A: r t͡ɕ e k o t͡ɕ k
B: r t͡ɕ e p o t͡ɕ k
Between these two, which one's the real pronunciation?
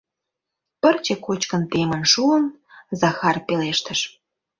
A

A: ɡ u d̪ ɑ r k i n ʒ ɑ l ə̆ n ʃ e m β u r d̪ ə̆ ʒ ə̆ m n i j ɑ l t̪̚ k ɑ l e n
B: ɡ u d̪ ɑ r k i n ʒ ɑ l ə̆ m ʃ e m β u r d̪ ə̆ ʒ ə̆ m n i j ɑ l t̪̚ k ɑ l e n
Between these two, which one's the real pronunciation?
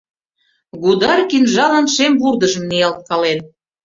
A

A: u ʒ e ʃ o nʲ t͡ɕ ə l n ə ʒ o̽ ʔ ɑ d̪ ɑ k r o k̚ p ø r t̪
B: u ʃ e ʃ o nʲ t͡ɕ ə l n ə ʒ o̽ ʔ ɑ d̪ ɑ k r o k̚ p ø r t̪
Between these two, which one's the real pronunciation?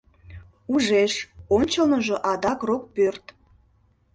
A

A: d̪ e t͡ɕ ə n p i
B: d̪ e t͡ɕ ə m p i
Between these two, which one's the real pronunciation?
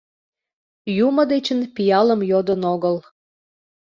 A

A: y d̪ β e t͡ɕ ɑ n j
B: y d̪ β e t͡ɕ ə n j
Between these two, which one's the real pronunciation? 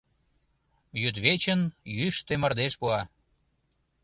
B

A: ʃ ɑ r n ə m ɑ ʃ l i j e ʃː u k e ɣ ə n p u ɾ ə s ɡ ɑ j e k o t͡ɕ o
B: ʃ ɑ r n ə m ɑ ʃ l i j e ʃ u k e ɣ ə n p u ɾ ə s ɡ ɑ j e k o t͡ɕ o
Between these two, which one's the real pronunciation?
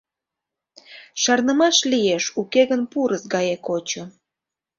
B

